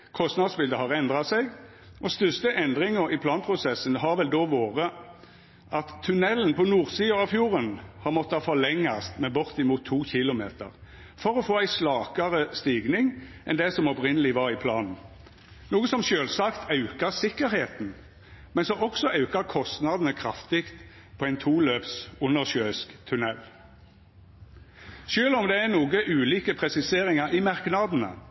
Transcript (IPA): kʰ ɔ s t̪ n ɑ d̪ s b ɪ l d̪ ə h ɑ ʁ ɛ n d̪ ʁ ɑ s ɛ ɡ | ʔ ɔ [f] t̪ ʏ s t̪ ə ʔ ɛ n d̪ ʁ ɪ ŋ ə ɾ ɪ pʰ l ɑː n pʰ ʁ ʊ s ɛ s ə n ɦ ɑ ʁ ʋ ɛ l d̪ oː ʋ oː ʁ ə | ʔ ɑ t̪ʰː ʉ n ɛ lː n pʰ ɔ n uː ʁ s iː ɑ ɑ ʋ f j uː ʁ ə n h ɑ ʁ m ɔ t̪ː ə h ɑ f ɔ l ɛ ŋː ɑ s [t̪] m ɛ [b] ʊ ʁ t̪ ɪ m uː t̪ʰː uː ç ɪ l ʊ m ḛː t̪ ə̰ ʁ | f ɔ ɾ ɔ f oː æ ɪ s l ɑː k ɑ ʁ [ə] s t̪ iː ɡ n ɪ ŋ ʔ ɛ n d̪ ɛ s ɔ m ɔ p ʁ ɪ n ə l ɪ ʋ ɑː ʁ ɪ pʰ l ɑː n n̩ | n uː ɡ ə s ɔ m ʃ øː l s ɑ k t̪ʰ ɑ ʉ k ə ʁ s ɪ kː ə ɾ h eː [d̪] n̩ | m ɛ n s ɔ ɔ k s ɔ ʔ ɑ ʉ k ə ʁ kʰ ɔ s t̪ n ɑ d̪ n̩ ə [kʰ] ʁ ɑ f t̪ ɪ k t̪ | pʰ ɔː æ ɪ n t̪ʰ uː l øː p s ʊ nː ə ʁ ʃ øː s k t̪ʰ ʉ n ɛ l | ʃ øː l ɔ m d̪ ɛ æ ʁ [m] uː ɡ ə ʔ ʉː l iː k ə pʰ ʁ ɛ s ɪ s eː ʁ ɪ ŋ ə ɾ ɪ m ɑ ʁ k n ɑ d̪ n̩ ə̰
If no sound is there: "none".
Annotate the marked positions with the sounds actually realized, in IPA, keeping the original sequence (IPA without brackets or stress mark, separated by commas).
s, t̪, b, ə, t̪, kʰ, n